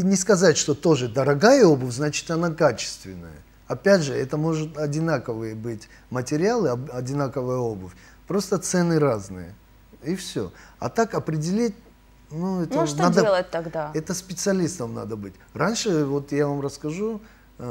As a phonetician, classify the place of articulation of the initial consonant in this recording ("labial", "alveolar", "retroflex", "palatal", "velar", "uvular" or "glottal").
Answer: alveolar